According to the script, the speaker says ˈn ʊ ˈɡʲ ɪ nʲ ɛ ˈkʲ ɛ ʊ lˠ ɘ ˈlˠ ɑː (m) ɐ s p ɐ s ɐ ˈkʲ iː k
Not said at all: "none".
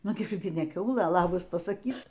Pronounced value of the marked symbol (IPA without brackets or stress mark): b